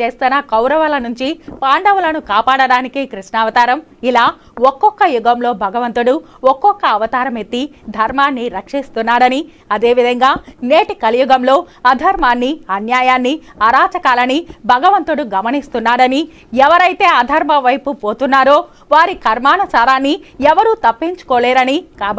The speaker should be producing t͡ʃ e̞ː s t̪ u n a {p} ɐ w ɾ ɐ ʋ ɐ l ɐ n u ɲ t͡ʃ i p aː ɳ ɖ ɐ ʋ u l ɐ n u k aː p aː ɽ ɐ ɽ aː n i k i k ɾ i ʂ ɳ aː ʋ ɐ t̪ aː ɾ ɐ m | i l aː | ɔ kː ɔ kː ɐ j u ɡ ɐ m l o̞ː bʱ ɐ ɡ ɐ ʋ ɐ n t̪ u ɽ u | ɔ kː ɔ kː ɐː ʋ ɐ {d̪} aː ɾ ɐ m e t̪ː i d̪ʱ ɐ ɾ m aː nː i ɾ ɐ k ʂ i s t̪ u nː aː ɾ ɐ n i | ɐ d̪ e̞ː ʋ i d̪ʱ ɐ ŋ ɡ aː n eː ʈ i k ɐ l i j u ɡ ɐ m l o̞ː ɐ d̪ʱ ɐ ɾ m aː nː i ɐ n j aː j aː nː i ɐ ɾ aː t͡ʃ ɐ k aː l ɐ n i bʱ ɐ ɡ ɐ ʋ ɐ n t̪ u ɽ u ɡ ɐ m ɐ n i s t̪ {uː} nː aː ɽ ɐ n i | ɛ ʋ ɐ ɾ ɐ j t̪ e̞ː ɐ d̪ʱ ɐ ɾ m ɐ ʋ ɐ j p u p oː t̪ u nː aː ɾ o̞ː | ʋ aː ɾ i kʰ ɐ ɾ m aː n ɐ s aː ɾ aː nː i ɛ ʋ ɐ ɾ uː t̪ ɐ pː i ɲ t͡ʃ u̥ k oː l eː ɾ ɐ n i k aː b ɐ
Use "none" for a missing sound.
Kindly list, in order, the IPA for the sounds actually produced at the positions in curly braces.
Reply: k, t̪, u

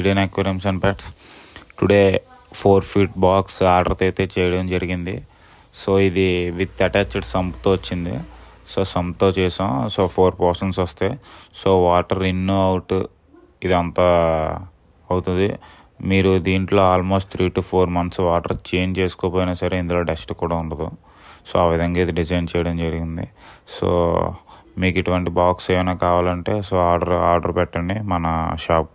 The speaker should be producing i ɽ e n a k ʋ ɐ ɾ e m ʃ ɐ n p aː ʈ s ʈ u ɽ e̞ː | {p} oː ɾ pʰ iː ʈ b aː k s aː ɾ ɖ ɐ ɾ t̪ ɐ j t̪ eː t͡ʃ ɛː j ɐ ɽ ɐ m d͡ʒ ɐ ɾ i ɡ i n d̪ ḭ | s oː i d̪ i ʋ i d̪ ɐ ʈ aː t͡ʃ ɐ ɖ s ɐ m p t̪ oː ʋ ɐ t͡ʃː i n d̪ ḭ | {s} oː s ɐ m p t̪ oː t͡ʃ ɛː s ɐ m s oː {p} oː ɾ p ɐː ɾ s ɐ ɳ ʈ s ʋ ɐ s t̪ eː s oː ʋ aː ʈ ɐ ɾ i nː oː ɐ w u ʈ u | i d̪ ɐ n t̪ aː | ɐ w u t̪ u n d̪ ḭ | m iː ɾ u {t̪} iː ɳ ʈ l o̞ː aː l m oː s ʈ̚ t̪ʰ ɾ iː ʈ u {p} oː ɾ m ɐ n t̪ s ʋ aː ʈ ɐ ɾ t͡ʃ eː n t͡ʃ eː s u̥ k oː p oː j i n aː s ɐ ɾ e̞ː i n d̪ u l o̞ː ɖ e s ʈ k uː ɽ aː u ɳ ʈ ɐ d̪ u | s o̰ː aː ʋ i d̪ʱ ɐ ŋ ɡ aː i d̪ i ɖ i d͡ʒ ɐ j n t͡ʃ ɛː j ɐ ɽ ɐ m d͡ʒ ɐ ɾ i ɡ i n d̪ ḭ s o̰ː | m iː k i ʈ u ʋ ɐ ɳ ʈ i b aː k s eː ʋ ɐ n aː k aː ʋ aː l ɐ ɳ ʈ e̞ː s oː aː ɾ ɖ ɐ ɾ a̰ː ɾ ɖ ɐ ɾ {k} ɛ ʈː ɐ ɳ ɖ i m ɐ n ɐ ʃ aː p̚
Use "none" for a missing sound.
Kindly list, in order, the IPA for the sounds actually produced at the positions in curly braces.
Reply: pʰ, s, pʰ, d̪, pʰ, p

